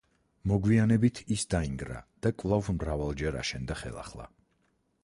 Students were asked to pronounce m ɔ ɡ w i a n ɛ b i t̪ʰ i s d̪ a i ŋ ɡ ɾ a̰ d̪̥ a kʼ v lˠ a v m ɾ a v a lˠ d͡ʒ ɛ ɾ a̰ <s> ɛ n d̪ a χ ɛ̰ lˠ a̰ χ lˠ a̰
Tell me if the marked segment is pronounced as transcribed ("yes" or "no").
no